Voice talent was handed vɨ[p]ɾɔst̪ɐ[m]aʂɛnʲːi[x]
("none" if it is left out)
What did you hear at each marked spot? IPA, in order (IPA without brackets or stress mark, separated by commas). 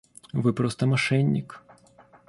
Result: p, m, k